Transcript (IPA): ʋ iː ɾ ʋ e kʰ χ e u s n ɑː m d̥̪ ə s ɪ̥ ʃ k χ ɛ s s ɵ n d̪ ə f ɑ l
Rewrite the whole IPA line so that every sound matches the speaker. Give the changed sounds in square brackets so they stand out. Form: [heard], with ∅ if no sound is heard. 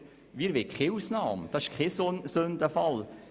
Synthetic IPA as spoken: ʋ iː ɾ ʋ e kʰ χ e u s n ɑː m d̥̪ [ɑ] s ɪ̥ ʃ k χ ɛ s s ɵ n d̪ ə f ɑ l